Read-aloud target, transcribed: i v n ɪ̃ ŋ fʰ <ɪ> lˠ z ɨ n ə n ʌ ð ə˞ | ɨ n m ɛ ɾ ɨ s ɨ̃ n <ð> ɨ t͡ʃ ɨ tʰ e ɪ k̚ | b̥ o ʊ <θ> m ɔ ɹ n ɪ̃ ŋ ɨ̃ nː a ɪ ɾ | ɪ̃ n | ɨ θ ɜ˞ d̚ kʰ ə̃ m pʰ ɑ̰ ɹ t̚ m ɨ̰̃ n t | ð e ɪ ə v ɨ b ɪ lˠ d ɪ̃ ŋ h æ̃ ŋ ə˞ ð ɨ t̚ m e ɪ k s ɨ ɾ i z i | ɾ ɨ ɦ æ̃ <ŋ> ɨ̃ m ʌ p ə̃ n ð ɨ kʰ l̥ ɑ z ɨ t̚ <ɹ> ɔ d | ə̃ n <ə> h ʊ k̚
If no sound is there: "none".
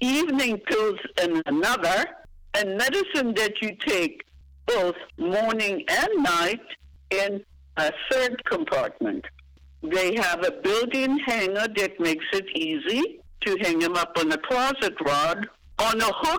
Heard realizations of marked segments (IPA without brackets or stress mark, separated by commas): ɪ, ð, θ, ŋ, ɹ, ə